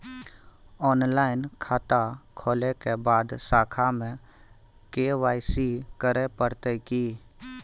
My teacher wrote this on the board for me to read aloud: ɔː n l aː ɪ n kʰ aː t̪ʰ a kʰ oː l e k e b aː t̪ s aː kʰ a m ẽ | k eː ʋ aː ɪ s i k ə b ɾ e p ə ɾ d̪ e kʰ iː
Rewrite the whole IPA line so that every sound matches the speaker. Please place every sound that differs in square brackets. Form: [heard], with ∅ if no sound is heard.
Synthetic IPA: ɔː n l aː ɪ n kʰ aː [t̪] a kʰ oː l e k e b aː [d̪] s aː kʰ a m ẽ | k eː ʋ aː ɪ s i k ə [∅] ɾ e p ə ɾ [t̪] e [k] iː